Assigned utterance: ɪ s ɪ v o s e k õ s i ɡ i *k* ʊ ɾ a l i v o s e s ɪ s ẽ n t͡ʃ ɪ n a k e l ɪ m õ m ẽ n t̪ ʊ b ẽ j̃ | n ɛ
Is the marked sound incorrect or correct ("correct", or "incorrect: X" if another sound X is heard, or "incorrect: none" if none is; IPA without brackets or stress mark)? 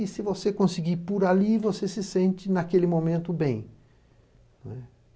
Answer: incorrect: p